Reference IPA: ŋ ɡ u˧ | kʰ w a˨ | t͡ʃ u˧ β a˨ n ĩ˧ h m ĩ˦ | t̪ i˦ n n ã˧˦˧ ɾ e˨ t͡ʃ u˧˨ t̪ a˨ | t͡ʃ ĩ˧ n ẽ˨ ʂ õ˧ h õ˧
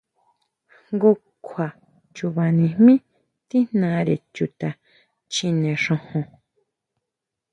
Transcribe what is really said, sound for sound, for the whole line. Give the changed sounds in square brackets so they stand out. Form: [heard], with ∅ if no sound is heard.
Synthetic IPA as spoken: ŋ ɡ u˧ | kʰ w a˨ | t͡ʃ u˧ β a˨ n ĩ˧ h m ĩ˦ | t̪ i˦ n n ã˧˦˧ ɾ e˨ t͡ʃ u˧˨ t̪ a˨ | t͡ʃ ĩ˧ n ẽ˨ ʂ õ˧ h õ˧

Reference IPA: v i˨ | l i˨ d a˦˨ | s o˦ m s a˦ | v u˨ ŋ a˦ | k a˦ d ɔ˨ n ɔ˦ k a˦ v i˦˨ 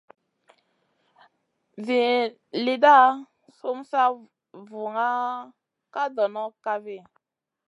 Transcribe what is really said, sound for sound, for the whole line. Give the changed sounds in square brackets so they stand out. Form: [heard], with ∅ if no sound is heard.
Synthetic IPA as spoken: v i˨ | l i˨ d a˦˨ | s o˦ m s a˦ | v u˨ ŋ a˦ | k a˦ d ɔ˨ n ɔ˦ k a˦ v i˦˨

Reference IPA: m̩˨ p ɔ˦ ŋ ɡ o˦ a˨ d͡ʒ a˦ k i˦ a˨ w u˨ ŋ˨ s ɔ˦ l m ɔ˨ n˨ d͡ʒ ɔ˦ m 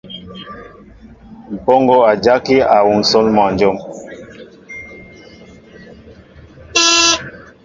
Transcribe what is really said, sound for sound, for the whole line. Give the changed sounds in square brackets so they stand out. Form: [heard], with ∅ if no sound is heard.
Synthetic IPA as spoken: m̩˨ p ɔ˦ ŋ ɡ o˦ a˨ d͡ʒ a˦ k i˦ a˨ w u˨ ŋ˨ s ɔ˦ l m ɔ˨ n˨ d͡ʒ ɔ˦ m

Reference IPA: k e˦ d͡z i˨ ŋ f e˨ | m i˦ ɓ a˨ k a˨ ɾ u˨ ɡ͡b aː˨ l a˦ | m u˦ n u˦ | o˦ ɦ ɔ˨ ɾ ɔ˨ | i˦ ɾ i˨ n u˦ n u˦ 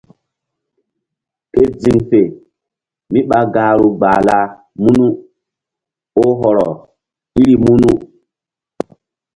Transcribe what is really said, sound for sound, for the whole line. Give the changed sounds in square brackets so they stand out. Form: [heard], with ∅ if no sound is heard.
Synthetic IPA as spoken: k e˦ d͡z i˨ ŋ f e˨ | m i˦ ɓ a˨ [ɡ] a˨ ɾ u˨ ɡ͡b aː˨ l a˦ | m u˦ n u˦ | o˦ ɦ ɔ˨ ɾ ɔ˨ | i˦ ɾ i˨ [m] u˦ n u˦

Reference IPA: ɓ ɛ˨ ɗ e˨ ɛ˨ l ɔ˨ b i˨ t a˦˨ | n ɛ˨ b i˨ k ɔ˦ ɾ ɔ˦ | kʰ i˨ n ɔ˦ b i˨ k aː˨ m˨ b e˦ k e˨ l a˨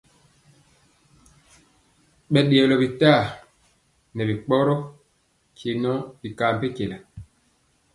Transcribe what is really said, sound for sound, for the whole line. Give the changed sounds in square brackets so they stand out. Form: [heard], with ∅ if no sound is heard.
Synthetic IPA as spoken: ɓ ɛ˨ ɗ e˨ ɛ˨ l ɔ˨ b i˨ t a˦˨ | n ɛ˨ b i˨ [k͡p] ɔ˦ ɾ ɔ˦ | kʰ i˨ n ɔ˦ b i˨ k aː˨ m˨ [p] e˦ k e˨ l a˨

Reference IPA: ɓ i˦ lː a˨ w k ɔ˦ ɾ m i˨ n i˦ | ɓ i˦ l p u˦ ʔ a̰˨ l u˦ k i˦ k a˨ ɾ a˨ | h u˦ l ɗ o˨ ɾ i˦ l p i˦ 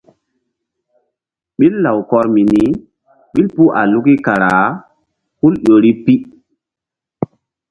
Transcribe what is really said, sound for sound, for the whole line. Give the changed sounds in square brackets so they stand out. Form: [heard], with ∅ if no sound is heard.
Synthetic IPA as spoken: ɓ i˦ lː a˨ w k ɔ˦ ɾ m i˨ n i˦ | ɓ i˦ l p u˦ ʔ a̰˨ l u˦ k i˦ k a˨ ɾ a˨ | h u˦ l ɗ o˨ ɾ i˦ [∅] p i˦

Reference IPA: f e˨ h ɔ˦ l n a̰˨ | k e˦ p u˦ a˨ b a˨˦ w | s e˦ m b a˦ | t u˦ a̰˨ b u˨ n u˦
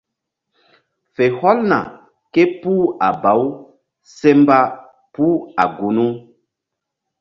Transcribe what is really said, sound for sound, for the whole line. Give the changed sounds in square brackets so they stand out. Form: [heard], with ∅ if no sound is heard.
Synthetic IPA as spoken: f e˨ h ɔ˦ l n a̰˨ | k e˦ p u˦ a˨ b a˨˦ w | s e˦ m b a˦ | [p] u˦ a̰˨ [ɡ] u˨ n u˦

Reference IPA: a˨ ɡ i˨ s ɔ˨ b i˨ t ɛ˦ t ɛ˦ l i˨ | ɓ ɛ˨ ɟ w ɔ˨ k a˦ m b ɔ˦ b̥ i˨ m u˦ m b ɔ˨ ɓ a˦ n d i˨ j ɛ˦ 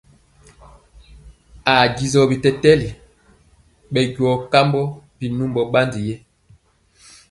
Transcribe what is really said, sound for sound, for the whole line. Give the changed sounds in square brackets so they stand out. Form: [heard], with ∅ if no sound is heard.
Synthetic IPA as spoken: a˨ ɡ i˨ [z] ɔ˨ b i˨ t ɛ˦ t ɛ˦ l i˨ | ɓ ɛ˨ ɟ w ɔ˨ k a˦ m b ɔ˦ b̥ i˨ [n] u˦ m b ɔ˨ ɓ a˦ n d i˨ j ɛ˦

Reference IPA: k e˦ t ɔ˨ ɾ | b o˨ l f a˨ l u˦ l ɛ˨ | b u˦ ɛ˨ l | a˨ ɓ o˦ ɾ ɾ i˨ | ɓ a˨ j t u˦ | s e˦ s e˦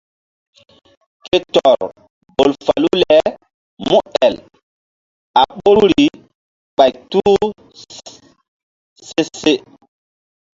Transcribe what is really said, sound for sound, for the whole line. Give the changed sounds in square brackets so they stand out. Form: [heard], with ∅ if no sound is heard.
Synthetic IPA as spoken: k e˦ t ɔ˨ ɾ | b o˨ l f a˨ l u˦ l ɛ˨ | [m] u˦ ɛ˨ l | a˨ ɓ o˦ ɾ ɾ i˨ | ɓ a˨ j t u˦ | s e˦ s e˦

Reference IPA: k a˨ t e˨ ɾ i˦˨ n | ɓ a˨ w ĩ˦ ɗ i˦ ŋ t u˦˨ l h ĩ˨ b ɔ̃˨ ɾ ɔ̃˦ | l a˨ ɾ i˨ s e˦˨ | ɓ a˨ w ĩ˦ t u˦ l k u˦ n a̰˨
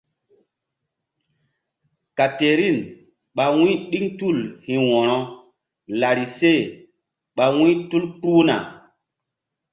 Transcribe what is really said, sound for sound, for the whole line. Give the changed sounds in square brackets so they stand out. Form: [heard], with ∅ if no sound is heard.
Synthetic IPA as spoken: k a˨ t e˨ ɾ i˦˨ n | ɓ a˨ w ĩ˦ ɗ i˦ ŋ t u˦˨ l h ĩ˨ [w] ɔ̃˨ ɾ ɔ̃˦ | l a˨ ɾ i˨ s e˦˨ | ɓ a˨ w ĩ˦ t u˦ l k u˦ n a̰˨

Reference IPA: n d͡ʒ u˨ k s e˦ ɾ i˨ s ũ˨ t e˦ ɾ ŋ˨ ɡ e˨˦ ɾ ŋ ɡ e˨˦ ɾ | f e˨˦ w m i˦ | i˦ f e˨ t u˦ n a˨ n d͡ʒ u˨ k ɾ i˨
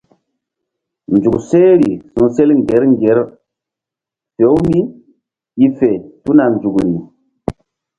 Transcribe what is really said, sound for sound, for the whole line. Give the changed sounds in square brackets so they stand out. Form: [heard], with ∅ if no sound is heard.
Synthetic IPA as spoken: n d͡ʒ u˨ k s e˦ ɾ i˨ s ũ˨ [s] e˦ [l] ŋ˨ ɡ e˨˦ ɾ ŋ ɡ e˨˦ ɾ | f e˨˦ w m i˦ | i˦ f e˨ t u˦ n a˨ n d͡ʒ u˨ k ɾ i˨

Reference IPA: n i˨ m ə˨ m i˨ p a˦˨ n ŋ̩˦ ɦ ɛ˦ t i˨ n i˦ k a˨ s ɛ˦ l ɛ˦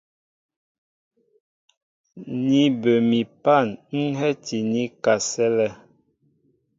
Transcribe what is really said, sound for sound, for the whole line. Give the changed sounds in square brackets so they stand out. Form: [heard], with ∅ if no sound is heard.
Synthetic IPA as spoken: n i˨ [b] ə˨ m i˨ p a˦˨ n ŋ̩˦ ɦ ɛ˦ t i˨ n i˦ k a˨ s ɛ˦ l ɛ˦

